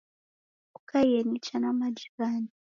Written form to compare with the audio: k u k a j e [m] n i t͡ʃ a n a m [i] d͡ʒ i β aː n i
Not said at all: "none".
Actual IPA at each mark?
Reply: none, a

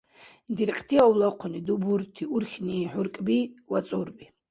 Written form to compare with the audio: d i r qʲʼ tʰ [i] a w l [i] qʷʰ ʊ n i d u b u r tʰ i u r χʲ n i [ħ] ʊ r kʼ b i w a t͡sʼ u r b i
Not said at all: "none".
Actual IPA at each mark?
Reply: i, a, ħ

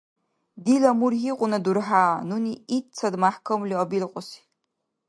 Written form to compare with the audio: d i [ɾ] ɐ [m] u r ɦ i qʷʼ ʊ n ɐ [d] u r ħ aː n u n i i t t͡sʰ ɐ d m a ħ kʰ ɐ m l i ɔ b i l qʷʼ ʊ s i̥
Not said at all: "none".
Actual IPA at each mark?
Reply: l, m, d

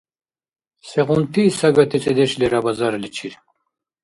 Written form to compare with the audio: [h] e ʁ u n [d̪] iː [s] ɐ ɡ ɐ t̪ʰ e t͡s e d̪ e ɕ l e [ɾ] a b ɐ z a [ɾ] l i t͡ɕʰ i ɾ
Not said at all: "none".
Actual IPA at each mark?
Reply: s, t̪, s, ɾ, ɾ

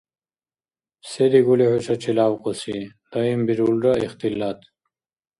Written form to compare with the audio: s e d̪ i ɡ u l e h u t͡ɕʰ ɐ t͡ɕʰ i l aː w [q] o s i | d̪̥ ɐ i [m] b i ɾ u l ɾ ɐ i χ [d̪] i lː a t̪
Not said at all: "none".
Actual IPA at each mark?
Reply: q, m, t̪

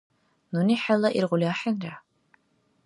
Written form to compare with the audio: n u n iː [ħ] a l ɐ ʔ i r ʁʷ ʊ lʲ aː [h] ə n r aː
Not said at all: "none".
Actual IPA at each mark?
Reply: ħ, ħ

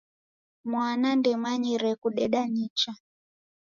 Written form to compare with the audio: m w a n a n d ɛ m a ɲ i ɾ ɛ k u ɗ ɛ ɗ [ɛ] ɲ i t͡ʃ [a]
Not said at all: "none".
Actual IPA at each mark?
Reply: a, a

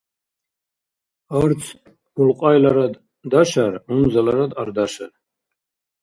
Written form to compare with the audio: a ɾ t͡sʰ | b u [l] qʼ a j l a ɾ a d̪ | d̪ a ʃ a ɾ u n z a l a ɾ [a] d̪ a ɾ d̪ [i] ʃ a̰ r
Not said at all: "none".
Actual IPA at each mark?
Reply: l, a, a

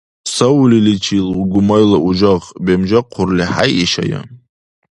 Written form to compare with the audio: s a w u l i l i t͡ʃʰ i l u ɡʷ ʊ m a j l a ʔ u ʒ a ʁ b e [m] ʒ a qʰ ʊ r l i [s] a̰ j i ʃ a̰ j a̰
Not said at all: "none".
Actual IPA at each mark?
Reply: m, ħ

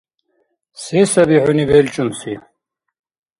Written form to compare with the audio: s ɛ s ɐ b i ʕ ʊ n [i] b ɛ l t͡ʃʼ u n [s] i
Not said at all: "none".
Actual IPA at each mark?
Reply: i, s

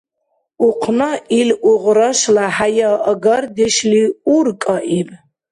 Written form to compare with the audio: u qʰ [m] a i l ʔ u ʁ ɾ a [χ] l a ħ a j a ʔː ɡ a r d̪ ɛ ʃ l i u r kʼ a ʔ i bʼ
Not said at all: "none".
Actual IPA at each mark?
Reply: n, ʃ

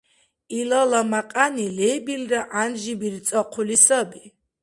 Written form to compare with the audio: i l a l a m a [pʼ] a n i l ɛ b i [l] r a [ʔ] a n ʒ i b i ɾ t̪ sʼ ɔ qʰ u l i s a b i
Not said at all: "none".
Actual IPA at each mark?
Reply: qʼ, l, ʔ

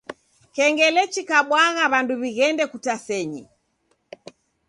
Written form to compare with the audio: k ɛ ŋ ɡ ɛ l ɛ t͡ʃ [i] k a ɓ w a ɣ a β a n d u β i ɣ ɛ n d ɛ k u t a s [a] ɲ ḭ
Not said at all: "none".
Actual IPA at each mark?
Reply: i, ɛ

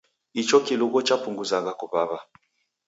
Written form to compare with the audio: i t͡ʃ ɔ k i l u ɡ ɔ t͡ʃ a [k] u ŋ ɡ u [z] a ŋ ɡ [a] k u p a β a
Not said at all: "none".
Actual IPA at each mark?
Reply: p, z, a

